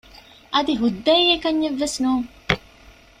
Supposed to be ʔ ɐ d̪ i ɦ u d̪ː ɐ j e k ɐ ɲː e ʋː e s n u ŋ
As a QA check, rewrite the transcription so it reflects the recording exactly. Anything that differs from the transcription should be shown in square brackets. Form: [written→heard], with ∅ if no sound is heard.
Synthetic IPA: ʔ ɐ d̪ i ɦ u d̪ː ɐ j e k ɐ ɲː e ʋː e s n [u→uː] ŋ